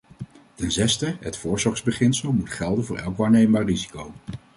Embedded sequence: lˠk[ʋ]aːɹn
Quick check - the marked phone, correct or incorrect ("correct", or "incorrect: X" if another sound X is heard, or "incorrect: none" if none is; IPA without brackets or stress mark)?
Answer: correct